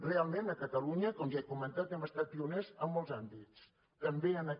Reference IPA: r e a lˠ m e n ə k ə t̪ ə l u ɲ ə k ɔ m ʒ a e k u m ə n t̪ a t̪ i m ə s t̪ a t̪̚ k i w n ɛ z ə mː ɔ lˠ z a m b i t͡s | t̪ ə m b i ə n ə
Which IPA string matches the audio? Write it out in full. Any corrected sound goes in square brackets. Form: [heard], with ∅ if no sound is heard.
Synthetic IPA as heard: r e a lˠ m e n ə k ə t̪ ə l u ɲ ə k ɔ m ʒ a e k u m ə n t̪ a t̪ [ɛ] m ə s t̪ a t̪̚ [p] i [u] n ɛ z ə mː ɔ lˠ z a m b i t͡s | t̪ ə m b [e] ə n ə